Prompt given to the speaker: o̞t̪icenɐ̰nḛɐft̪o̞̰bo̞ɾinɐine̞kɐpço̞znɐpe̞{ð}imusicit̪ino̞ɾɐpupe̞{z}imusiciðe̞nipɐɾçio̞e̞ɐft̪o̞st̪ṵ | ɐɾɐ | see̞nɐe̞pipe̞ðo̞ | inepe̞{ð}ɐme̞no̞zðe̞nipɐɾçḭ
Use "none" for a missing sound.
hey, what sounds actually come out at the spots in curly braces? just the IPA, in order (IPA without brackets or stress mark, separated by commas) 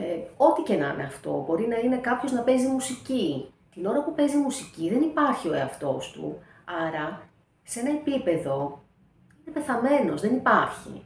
z, z, θ